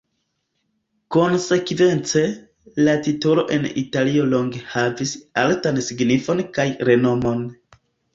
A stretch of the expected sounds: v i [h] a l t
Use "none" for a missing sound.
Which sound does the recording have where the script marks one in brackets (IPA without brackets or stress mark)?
s